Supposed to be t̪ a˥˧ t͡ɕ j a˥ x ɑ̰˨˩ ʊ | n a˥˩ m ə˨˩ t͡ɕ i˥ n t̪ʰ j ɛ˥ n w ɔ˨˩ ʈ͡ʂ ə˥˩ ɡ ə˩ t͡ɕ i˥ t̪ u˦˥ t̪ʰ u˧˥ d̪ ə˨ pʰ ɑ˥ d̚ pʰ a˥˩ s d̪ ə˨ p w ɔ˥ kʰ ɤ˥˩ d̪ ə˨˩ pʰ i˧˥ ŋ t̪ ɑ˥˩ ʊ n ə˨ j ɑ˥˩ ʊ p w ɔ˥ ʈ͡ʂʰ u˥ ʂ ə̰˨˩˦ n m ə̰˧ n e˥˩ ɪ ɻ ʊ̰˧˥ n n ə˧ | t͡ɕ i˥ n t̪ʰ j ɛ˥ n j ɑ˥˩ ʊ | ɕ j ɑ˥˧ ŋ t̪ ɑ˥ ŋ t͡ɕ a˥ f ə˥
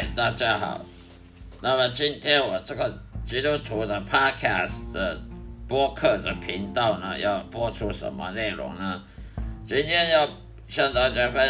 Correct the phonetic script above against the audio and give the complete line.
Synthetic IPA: t̪ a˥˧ t͡ɕ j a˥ x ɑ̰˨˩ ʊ | n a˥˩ m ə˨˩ t͡ɕ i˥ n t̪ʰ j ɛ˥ n w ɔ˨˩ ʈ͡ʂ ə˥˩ ɡ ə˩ t͡ɕ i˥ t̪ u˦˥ t̪ʰ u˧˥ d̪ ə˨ pʰ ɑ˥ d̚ kʰ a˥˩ s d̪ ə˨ p w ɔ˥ kʰ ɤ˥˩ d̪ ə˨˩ pʰ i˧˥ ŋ t̪ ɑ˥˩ ʊ n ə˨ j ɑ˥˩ ʊ p w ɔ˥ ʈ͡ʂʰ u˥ ʂ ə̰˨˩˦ n m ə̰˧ n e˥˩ ɪ ɻ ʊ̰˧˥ ŋ n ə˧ | t͡ɕ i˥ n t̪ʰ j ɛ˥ n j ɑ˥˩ ʊ | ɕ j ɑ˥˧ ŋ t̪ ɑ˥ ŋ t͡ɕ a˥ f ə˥